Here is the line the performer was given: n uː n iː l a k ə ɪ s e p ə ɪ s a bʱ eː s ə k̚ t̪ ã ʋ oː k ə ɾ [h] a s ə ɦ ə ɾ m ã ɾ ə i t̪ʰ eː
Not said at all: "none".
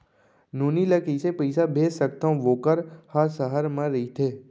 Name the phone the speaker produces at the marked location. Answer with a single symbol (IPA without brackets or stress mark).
h